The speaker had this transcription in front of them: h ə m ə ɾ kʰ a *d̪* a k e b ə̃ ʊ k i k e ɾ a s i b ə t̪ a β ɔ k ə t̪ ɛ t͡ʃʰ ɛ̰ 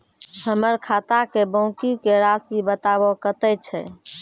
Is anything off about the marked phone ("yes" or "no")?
yes